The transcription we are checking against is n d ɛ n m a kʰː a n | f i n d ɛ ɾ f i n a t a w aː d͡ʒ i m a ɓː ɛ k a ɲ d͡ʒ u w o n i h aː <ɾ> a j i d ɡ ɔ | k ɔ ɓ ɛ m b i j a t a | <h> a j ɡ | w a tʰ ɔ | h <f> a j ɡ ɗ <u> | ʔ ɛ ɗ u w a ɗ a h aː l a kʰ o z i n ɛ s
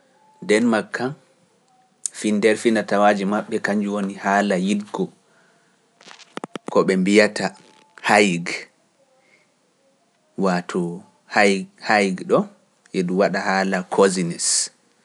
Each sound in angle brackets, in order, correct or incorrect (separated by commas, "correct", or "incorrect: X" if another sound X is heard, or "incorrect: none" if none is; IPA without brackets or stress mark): incorrect: l, correct, incorrect: h, incorrect: ɔ